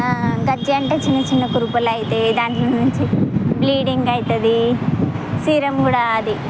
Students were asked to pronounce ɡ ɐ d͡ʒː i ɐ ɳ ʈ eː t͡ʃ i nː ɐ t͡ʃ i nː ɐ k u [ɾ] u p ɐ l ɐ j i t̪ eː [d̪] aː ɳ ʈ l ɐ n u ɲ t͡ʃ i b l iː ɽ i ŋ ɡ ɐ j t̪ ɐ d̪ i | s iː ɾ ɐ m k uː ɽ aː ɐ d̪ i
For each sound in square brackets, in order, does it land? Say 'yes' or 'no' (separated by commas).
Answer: yes, yes